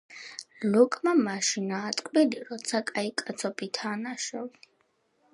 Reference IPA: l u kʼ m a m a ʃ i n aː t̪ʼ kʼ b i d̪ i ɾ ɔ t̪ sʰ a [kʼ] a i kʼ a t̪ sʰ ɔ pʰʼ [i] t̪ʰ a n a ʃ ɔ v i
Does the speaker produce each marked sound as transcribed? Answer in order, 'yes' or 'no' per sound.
yes, yes

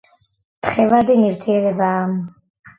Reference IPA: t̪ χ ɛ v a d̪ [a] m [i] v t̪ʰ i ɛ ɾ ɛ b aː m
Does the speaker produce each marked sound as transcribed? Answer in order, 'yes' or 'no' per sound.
no, yes

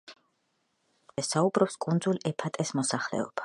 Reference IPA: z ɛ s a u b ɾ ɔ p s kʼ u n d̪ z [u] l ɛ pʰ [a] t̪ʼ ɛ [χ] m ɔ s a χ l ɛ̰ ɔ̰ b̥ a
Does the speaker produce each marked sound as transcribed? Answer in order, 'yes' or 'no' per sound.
yes, yes, no

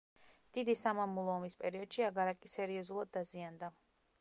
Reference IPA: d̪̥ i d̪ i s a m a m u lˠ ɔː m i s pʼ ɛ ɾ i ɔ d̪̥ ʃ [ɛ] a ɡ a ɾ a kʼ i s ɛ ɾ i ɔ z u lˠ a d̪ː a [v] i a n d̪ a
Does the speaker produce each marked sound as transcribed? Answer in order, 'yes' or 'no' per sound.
no, no

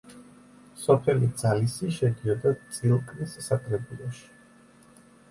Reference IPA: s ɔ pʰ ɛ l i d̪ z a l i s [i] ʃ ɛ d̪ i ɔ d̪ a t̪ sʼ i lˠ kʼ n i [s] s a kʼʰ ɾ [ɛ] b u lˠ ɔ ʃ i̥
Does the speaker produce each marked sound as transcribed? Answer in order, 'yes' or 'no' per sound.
yes, yes, yes

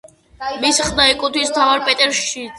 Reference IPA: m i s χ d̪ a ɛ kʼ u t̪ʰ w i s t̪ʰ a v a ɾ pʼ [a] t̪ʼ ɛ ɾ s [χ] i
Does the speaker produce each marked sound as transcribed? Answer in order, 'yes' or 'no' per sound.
no, no

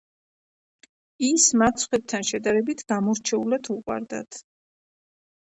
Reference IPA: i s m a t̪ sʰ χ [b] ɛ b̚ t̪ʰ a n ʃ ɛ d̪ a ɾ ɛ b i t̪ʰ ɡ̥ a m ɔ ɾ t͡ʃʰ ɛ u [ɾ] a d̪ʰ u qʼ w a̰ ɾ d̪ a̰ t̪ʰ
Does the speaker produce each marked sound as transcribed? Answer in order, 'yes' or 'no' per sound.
no, no

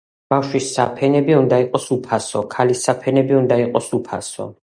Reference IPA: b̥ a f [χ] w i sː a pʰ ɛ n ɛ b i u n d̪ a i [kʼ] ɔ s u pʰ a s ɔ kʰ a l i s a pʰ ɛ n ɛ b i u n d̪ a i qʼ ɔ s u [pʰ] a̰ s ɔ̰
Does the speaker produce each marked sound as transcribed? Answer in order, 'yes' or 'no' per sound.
no, no, yes

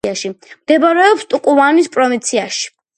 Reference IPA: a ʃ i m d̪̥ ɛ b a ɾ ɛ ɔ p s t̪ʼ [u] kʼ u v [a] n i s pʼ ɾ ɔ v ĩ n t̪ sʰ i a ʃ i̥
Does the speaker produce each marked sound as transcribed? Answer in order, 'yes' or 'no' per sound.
yes, yes

